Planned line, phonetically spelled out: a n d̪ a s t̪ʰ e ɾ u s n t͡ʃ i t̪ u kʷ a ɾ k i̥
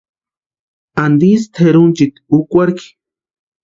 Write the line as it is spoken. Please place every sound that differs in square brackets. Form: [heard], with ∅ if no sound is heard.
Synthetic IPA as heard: a n d̪ [i] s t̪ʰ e ɾ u [∅] n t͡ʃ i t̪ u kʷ a ɾ k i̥